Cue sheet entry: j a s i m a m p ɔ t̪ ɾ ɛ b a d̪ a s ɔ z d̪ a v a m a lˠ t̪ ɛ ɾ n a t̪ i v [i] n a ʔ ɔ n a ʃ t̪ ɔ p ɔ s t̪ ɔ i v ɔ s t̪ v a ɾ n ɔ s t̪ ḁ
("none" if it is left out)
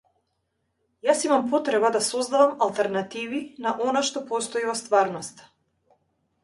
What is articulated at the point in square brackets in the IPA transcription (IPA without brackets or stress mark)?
i